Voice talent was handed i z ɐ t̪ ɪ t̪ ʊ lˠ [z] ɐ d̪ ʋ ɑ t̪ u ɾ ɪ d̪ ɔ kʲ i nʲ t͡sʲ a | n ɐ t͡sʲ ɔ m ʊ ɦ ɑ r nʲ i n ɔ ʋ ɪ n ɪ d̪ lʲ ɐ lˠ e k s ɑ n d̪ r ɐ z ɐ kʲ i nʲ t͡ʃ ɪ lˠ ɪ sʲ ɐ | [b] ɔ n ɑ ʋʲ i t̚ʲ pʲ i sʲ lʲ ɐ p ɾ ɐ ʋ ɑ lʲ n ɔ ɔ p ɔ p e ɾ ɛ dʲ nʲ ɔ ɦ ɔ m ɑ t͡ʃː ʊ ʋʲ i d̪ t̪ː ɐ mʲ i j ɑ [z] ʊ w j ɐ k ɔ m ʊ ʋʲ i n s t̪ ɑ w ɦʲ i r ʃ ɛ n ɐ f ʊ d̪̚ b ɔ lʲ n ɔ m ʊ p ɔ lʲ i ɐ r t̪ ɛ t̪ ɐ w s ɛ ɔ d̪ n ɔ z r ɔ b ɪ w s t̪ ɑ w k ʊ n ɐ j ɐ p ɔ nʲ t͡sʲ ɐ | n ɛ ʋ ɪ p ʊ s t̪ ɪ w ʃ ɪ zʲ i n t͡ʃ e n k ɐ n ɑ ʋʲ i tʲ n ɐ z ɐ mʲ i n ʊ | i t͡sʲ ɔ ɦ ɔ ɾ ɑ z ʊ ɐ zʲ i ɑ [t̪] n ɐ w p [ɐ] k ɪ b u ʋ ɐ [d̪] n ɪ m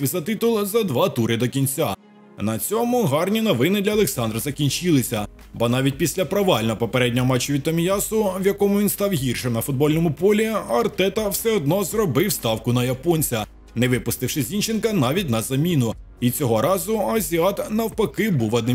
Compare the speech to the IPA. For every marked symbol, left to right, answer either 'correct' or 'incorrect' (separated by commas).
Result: correct, correct, incorrect, correct, correct, correct